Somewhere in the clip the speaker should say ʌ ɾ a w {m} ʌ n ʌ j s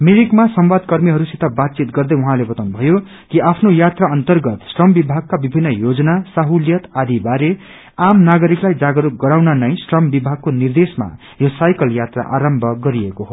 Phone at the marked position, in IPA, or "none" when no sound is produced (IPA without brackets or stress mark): n